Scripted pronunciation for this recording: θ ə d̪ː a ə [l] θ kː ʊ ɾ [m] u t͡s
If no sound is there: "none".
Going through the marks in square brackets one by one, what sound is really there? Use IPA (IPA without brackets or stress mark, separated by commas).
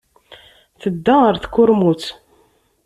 ɾ, m